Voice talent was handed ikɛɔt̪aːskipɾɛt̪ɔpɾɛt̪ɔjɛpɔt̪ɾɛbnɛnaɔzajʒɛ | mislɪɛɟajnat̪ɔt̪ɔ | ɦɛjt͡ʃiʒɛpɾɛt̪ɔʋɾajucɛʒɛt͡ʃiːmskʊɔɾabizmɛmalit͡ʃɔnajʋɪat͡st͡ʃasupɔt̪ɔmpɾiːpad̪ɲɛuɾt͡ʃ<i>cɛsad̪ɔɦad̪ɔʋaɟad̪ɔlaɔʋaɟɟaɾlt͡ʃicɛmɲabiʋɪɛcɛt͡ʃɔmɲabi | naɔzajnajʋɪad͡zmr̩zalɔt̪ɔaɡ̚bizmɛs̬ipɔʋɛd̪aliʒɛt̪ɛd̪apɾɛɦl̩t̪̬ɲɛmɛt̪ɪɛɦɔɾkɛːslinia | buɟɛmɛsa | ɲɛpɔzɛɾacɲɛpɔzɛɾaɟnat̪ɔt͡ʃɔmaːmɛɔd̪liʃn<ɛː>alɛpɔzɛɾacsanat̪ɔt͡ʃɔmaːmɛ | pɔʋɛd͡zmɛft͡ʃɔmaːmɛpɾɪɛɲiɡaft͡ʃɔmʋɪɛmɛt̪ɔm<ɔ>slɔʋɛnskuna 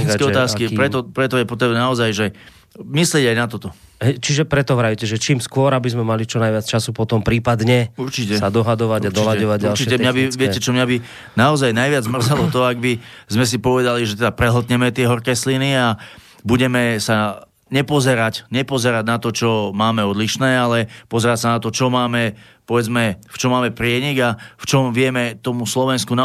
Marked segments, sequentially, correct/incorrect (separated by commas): correct, correct, incorrect